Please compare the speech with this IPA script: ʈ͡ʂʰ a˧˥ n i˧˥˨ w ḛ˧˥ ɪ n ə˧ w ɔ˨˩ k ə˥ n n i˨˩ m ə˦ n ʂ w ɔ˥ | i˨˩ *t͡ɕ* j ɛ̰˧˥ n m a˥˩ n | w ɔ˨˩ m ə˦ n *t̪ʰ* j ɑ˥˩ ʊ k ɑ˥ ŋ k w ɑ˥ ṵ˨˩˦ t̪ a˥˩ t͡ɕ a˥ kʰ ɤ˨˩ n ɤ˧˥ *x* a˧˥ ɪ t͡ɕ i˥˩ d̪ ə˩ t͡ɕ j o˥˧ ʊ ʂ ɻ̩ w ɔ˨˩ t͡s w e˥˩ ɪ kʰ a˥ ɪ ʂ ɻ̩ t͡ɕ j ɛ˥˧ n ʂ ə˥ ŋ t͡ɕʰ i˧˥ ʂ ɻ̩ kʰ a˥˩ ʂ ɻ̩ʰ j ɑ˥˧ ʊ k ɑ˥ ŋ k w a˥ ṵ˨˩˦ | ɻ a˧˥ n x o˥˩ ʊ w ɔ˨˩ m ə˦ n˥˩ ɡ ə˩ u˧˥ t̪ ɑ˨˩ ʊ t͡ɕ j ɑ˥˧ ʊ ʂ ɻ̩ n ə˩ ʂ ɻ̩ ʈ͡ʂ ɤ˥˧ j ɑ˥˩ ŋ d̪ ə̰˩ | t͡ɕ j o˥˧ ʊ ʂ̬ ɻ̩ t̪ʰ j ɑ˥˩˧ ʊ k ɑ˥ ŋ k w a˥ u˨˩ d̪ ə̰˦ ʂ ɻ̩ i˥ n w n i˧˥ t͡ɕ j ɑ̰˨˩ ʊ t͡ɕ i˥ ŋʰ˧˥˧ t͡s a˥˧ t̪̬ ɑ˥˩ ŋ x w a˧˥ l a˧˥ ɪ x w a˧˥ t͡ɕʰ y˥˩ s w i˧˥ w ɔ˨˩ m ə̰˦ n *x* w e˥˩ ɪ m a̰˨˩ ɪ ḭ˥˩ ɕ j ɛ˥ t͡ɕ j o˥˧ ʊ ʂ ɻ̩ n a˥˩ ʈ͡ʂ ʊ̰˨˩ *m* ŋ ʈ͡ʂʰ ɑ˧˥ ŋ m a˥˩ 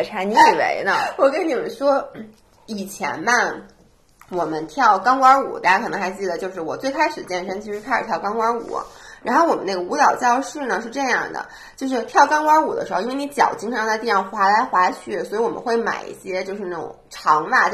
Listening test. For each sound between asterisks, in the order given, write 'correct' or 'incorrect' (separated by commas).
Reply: incorrect, correct, correct, correct, incorrect